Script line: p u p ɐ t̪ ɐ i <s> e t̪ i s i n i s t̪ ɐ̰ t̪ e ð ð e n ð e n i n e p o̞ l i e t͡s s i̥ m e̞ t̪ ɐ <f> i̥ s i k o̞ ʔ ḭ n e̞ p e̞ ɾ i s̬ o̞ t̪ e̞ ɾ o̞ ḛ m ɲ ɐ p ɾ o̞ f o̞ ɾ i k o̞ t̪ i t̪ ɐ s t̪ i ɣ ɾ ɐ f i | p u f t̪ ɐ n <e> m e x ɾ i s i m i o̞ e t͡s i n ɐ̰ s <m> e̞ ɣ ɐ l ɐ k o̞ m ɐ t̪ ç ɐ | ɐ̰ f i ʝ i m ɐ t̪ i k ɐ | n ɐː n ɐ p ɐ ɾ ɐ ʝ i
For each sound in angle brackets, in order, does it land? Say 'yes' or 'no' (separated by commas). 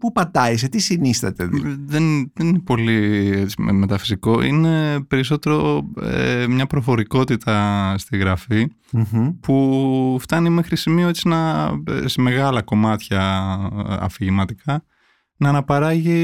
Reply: yes, yes, no, yes